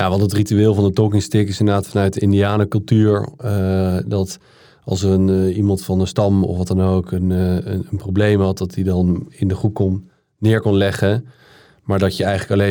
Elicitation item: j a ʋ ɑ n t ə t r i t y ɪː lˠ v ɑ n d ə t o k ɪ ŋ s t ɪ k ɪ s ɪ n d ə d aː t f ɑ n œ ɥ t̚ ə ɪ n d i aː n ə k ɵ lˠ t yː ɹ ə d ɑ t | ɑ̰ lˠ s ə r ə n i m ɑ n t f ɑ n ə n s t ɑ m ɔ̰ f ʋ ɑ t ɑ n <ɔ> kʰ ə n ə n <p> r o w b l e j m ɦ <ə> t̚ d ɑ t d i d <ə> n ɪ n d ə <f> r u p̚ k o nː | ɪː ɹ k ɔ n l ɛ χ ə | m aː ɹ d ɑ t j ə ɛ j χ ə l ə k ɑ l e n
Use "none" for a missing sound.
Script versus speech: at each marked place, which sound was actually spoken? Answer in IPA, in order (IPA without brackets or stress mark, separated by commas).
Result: o, p, ɑ, ɑ, χ